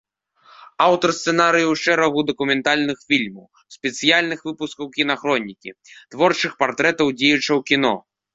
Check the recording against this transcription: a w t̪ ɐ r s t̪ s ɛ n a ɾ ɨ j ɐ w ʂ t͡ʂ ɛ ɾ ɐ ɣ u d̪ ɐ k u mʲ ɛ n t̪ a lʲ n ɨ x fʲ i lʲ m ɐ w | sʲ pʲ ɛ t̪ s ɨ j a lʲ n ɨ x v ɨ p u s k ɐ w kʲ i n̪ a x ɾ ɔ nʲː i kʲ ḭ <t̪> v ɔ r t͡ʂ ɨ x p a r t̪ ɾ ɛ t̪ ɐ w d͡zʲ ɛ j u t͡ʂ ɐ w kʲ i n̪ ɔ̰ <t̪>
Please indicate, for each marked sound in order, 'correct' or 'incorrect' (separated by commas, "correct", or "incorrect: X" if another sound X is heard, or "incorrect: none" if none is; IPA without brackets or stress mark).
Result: correct, incorrect: none